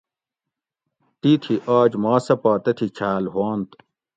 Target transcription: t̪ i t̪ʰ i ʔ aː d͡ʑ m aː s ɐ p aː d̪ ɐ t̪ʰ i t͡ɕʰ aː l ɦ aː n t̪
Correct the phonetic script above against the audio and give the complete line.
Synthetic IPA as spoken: t̪ i t̪ʰ i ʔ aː d͡ʑ m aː s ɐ p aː t̪ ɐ t̪ʰ i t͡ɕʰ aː l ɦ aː n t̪